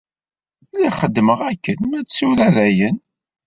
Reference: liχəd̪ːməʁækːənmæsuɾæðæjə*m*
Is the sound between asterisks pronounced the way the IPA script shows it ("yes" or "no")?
no